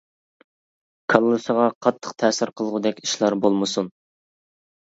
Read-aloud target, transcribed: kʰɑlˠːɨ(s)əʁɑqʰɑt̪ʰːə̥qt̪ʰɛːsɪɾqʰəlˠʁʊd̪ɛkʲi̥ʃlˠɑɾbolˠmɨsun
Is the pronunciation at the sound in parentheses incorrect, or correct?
correct